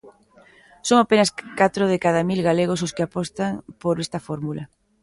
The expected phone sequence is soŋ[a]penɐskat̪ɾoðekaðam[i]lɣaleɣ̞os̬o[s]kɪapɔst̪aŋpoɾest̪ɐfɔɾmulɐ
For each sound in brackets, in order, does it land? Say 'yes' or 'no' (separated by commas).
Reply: yes, yes, yes